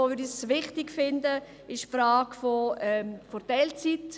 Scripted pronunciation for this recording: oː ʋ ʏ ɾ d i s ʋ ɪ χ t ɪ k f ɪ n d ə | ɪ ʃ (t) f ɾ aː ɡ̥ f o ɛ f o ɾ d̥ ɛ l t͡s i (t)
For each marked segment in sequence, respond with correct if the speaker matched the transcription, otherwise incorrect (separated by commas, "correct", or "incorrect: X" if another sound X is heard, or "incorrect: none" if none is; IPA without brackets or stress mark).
incorrect: p, correct